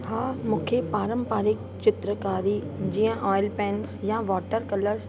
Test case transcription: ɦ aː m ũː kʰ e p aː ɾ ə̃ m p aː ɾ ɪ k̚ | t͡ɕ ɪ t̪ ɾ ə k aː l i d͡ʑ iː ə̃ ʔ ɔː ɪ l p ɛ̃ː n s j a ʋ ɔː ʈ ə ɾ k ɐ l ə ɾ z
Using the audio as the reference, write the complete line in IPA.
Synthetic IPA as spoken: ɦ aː m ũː kʰ e p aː ɾ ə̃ m p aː ɾ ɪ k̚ | t͡ɕ ɪ t̪ ɾ ə k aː ɾ i d͡ʑ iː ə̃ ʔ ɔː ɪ l p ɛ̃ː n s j a ʋ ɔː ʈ ə ɾ k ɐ l ə ɾ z

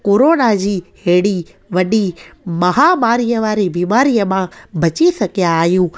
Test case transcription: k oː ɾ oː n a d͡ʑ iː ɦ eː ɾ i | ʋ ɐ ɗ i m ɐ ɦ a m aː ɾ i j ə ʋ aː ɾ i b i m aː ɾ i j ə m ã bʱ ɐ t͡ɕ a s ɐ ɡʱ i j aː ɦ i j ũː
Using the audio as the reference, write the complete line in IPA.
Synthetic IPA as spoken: k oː ɾ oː n a d͡ʑ iː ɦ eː ɽ i | ʋ ɐ ɗ i m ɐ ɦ a m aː ɾ i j ə ʋ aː ɾ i b iː m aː ɾ i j ə m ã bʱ ɐ t͡ɕ i s ɐ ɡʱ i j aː ɦ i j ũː

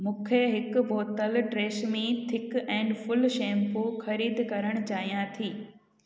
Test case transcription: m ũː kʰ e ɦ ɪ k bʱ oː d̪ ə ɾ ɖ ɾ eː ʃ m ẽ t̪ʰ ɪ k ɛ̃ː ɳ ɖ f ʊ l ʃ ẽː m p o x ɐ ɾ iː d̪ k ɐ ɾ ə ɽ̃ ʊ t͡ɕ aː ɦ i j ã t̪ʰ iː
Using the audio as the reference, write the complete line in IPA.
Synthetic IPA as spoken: m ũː kʰ e ɦ ɪ k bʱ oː t̪ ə l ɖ ɾ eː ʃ m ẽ t̪ʰ ɪ k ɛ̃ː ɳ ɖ f ʊ l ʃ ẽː m p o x ɐ ɾ iː d̪ k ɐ ɾ ə ɽ̃ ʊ t͡ɕ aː ɦ i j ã t̪ʰ iː

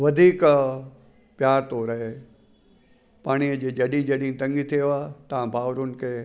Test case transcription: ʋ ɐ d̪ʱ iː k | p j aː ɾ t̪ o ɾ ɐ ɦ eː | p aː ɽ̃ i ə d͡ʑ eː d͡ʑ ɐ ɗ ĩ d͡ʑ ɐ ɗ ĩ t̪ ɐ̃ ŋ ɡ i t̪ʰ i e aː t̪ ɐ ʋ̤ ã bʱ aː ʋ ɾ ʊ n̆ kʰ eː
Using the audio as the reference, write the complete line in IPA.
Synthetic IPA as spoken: ʋ ɐ d̪ʱ iː k | p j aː ɾ t̪ o ɾ ɐ ɦ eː | p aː ɽ̃ i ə d͡ʑ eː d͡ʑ ɐ ɗ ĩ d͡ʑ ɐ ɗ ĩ t̪ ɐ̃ ŋ ɡ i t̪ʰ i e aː t̪ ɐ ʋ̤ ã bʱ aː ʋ ɾ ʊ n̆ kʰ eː

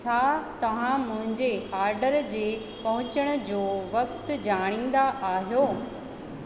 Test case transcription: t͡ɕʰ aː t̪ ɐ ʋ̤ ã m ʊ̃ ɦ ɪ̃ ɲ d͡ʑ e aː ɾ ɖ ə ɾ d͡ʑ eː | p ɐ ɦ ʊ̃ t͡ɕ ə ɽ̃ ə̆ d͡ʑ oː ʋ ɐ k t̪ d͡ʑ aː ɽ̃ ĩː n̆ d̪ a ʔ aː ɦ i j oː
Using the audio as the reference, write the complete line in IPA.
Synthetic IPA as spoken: t͡ɕʰ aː t̪ ɐ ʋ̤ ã m ʊ̃ ɦ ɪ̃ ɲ d͡ʑ e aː ɾ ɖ ə ɾ d͡ʑ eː | p ɐ ɦ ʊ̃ t͡ɕ ə ɽ̃ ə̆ d͡ʑ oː ʋ ɐ k t̪ d͡ʑ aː ɽ̃ ĩː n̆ d̪ a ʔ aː ɦ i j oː

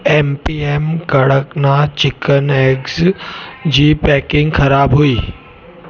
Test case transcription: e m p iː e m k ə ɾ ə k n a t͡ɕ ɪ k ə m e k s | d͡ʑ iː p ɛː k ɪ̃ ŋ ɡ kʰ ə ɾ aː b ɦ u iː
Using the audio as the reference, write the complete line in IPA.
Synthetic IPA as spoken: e m p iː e m k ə ɽ ə k n a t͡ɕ ɪ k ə n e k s | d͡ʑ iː p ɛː k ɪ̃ ŋ ɡ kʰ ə ɾ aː b ɦ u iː

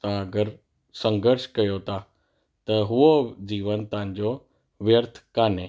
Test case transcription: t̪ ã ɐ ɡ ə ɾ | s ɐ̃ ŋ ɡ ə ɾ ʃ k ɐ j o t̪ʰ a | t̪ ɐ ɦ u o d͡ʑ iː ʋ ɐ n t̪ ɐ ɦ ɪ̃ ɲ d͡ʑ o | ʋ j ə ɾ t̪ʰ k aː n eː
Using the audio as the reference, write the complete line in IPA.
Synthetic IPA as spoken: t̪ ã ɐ ɡ ə ɾ | s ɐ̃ ŋ ɡ ə ɾ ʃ k ɐ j o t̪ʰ a | t̪ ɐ ɦ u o d͡ʑ iː ʋ ə n t̪ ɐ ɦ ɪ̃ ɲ d͡ʑ o | ʋ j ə ɾ t̪ʰ k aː n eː

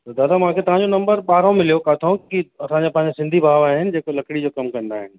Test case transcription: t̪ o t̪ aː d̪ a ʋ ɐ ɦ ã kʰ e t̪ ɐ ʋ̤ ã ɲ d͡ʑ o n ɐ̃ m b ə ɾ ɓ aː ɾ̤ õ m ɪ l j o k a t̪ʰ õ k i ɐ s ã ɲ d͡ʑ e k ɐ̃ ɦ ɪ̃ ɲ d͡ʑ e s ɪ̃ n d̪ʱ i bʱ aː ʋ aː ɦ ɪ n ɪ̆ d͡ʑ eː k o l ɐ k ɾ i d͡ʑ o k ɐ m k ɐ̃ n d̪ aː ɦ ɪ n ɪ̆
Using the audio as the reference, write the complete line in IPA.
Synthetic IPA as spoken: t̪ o d̪ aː d̪ a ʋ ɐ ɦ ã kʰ e t̪ ɐ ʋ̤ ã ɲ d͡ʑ o n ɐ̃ m b ə ɾ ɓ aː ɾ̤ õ m ɪ l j o k a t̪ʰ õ k i ɐ s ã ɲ d͡ʑ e p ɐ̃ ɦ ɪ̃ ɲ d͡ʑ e s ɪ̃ n d̪ʱ i bʱ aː ʋ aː ɦ ɪ n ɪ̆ d͡ʑ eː k o l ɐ k ɽ i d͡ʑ o k ɐ m k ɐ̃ n d̪ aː ɦ ɪ n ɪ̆

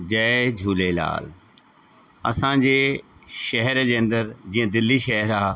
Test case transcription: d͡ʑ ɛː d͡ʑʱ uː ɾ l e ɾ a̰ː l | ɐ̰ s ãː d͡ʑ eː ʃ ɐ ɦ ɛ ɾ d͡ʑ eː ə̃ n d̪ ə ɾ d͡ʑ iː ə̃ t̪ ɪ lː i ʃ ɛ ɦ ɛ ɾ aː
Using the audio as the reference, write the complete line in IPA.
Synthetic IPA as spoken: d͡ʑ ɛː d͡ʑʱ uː l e l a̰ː l | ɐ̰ s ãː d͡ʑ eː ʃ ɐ ɦ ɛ ɾ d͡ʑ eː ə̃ n d̪ ə ɾ d͡ʑ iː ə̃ d̪ ɪ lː i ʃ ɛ ɦ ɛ ɾ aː

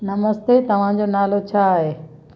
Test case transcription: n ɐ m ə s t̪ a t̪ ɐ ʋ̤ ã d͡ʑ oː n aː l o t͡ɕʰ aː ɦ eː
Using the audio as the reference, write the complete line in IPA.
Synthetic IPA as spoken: n ɐ m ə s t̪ e t̪ ɐ ʋ̤ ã d͡ʑ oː n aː l o t͡ɕʰ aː ɦ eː

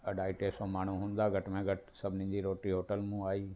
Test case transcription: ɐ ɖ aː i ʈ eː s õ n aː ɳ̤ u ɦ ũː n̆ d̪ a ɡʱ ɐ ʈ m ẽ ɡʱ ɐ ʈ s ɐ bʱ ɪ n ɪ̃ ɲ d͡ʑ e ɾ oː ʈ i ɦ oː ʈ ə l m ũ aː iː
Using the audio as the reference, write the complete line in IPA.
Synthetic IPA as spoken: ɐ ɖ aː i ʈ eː s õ m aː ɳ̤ u ɦ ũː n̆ d̪ a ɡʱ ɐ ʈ m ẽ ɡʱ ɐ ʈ s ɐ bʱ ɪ n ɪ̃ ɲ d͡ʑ i ɾ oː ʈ i ɦ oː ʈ ə l m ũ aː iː

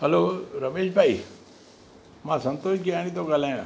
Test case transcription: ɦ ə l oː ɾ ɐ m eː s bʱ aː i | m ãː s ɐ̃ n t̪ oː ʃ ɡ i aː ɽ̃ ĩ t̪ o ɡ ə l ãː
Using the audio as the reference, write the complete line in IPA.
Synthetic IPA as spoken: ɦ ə l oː ɾ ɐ m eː ʃ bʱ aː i | m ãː s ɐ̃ n t̪ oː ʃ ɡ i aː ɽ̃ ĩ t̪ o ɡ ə l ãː

